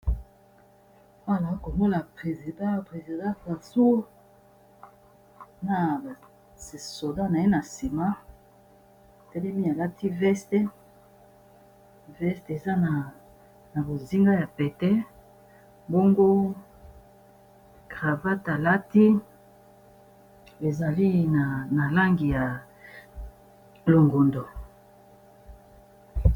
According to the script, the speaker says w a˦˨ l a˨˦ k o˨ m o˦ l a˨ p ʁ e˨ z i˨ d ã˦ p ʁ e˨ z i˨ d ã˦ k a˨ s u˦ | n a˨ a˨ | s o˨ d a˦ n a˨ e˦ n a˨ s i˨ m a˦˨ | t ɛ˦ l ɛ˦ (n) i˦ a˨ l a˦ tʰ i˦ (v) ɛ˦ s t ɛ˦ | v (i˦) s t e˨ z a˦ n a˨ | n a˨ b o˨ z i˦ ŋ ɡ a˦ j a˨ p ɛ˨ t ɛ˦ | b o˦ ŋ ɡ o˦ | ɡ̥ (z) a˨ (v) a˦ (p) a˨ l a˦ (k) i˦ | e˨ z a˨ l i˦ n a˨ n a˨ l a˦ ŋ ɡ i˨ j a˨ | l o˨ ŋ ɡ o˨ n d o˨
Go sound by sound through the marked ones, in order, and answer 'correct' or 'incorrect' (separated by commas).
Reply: incorrect, correct, incorrect, incorrect, correct, incorrect, incorrect